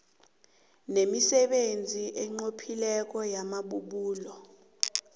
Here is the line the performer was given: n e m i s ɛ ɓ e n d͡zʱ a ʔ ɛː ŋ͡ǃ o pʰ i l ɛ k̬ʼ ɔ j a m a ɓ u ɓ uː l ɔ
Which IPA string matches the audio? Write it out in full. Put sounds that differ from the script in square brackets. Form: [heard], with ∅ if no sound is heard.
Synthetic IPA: n e m i s ɛ ɓ e n d͡zʱ [i] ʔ [ɛ] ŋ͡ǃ o pʰ i l ɛ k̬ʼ ɔ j a m a ɓ u ɓ uː l ɔ